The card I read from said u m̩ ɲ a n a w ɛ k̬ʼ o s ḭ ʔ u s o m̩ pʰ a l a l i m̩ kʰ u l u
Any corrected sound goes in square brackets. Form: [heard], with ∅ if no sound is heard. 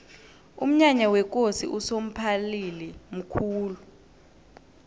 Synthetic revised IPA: u m̩ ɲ a [ɲ] a w ɛ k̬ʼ o s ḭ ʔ u s o m̩ pʰ a l [i] l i m̩ kʰ [uː] l u